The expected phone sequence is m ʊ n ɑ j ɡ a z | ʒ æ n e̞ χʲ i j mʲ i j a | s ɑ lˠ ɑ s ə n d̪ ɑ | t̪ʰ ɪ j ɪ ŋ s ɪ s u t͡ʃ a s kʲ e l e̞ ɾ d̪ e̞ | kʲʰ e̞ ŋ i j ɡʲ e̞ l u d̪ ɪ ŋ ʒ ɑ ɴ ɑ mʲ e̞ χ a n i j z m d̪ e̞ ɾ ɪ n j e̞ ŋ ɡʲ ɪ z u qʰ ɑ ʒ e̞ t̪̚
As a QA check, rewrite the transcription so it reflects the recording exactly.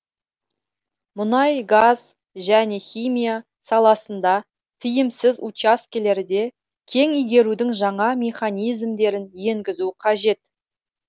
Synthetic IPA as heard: m ʊ n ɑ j ɡ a z | ʒ æ n e̞ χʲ i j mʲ i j a | s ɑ lˠ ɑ s ə n d̪ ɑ | t̪ʰ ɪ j ɪ m s ɪ z u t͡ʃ a s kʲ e l e̞ ɾ d̪ e̞ | kʲʰ e̞ ŋ i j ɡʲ e̞ ɾ u d̪ ɪ ŋ ʒ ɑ ɴ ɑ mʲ e̞ χ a n i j z m d̪ e̞ ɾ ɪ n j e̞ ŋ ɡʲ ɪ z u qʰ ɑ ʒ e̞ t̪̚

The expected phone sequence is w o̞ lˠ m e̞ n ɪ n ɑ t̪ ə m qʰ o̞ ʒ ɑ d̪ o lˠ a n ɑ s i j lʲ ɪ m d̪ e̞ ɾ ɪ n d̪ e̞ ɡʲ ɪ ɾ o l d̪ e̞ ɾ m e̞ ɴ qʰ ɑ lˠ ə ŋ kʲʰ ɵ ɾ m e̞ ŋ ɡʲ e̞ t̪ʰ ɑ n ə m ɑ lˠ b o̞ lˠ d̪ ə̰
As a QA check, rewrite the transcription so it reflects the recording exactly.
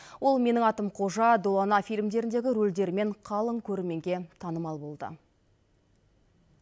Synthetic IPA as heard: w o̞ lˠ m e̞ n ɪ ŋ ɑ t̪ ə m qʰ o̞ ʒ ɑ d̪ o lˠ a n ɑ f i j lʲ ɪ m d̪ e̞ ɾ ɪ n d̪ e̞ ɡʲ ɪ ɾ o l d̪ e̞ ɾ m e̞ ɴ qʰ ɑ lˠ ə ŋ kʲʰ ɵ ɾ m e̞ ŋ ɡʲ e̞ t̪ʰ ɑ n ə m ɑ lˠ b o̞ lˠ d̪ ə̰

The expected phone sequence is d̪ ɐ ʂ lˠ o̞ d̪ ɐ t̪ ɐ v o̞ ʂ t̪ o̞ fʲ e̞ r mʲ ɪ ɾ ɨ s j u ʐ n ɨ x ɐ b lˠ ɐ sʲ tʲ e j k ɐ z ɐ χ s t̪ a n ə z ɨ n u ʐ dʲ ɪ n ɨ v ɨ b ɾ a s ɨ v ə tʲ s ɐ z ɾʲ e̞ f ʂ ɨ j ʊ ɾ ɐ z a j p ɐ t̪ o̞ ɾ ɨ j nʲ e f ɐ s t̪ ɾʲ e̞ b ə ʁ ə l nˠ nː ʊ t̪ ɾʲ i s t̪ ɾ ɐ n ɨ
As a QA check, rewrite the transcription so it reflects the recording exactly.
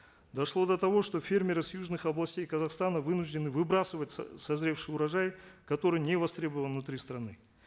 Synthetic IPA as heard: d̪ ɐ ʂ lˠ o̞ d̪ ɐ t̪ ɐ v o̞ ʂ t̪ o̞ fʲ e̞ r mʲ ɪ ɾ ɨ s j u ʐ n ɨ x ɐ b lˠ ɐ sʲ tʲ e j k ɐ z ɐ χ s t̪ a n ə v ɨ n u ʐ dʲ ɪ n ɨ v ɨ b ɾ a s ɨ v ə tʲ s ɐ z ɾʲ e̞ f ʂ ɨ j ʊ ɾ ɐ ʐ a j k ɐ t̪ o̞ ɾ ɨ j nʲ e v ɐ s t̪ ɾʲ e̞ b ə v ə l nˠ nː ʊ t̪ ɾʲ i s t̪ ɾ ɐ n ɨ

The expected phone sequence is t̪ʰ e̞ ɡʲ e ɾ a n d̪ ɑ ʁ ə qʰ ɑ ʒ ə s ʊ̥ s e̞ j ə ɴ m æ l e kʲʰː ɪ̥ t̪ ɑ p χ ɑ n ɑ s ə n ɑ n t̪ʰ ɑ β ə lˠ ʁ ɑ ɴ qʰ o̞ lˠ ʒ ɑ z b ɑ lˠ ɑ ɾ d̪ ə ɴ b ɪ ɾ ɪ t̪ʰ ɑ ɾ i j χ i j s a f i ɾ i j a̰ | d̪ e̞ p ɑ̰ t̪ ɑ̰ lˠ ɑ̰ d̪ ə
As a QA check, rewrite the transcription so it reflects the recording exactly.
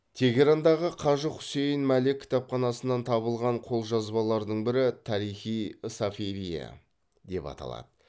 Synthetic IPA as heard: t̪ʰ e̞ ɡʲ e ɾ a n d̪ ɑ ʁ ə qʰ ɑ ʒ ə χ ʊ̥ s e̞ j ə n m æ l e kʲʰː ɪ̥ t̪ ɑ p χ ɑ n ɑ s ə n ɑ n t̪ʰ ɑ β ə lˠ ʁ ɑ ɴ qʰ o̞ lˠ ʒ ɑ z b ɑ lˠ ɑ ɾ d̪ ə ɴ b ɪ ɾ ɪ t̪ʰ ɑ ɾ i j χ i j s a f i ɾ i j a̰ | d̪ e̞ p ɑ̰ t̪ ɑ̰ lˠ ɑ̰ d̪ ə

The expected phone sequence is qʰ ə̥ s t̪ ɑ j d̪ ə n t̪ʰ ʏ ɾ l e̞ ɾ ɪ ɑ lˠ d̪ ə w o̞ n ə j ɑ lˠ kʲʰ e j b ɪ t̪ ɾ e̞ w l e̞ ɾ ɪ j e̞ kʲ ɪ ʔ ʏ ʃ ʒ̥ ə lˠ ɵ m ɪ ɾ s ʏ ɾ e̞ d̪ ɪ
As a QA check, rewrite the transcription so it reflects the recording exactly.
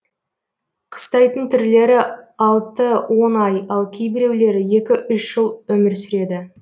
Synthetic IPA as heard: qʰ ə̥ s t̪ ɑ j t̪ ə n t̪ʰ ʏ ɾ l e̞ ɾ ɪ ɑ lˠ t̪ ə w o̞ n ɑ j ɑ lˠ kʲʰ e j b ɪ ɾ e̞ w l e̞ ɾ ɪ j e̞ kʲ ɪ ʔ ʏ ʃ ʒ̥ ə lˠ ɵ m ɪ ɾ s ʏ ɾ e̞ d̪ ɪ

